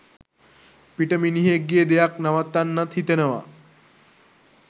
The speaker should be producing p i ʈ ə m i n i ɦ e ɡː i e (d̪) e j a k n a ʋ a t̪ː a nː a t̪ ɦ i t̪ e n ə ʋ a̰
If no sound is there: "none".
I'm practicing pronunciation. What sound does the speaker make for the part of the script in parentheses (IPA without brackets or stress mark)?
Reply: d̪